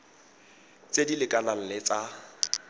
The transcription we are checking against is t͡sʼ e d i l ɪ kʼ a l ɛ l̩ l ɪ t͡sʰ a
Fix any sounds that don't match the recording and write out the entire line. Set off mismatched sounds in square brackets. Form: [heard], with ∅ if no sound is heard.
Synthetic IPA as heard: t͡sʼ e d i l ɪ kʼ a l [a] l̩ l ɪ [t͡s] a